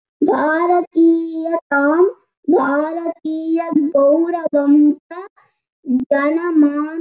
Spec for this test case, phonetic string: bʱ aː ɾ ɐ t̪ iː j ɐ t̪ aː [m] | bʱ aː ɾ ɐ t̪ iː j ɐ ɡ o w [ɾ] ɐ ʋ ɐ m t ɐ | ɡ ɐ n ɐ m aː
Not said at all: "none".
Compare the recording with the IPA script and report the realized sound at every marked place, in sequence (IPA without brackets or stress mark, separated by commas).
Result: m, ɾ